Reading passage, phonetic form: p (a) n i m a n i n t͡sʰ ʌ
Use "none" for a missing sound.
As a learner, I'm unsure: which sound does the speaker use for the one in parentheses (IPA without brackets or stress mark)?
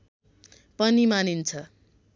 ʌ